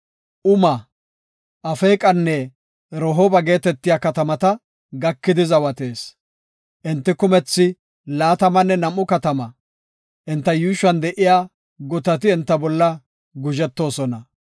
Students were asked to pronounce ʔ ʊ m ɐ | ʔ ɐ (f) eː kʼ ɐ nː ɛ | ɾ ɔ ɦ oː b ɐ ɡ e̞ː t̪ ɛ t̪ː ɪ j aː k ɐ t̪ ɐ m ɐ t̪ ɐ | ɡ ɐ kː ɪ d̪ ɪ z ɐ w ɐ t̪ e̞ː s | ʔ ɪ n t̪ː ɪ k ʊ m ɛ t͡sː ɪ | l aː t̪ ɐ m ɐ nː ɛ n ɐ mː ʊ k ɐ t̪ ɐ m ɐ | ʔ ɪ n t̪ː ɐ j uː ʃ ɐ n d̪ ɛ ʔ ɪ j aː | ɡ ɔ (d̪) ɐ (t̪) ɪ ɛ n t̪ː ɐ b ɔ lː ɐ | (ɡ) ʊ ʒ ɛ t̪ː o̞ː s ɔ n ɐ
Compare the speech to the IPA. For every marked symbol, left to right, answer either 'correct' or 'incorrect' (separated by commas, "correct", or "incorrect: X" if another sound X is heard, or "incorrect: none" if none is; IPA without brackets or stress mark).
correct, incorrect: t̪, correct, correct